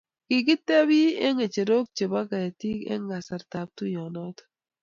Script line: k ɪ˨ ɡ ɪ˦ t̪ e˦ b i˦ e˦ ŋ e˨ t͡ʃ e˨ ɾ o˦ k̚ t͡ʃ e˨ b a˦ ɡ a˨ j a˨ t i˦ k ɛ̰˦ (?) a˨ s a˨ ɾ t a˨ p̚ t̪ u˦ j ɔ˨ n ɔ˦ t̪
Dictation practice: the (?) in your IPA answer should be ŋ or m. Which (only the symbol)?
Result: ŋ